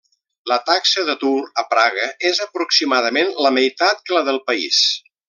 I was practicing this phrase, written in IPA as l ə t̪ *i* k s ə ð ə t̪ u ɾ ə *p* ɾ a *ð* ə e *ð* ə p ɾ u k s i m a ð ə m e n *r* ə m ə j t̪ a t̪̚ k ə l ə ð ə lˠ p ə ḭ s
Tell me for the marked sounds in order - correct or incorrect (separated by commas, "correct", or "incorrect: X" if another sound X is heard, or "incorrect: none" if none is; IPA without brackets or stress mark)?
incorrect: a, correct, incorrect: ɣ, incorrect: z, incorrect: l